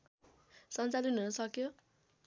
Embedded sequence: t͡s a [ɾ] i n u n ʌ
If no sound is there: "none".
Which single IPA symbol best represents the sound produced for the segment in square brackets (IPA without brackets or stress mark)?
l